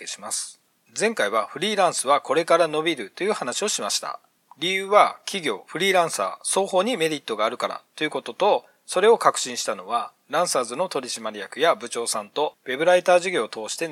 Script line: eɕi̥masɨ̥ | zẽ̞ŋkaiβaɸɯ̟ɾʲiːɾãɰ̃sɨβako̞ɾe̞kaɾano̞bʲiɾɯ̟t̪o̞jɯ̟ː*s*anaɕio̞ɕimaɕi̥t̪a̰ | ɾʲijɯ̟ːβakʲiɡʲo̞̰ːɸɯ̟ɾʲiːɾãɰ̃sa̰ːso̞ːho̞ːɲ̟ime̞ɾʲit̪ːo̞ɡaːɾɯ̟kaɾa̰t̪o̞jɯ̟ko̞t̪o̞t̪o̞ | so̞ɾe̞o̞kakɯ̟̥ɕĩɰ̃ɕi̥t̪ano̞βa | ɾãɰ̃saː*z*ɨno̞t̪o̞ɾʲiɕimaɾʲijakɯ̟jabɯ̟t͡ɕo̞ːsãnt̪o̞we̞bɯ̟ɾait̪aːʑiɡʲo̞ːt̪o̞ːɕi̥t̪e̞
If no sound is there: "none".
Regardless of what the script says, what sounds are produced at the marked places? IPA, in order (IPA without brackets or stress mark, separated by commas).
h, z